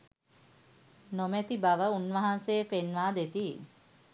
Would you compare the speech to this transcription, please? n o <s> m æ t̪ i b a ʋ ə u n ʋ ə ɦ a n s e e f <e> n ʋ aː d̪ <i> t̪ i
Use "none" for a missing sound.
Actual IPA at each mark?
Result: none, e, e

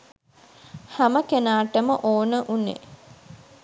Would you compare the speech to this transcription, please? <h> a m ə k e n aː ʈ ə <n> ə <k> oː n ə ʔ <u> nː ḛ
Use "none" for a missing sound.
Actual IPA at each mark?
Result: h, m, ʔ, u

